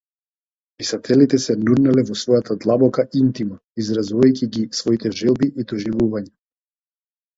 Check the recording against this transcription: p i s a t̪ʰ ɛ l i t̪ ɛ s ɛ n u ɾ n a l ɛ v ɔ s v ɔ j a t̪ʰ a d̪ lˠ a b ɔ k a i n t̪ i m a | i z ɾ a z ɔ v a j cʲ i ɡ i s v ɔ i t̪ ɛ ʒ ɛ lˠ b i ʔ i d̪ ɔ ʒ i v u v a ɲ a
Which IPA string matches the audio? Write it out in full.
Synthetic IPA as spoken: p i s a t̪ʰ ɛ l i t̪ ɛ s ɛ n u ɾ n a l ɛ v ɔ s v ɔ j a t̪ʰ a d̪ lˠ a b ɔ k a i n t̪ i m a | i z ɾ a z u v a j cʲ i ɡ i s v ɔ i t̪ ɛ ʒ ɛ lˠ b i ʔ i d̪ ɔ ʒ i v u v a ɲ a